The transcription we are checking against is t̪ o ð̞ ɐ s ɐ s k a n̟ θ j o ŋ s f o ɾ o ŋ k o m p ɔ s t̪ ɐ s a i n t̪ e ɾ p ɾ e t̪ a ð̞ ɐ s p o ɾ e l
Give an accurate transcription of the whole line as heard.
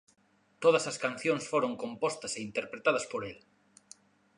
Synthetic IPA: t̪ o ð̞ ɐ s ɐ s k a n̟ θ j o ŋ s f o ɾ o ŋ k o m p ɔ s t̪ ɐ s e i n t̪ e ɾ p ɾ e t̪ a ð̞ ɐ s p o ɾ e l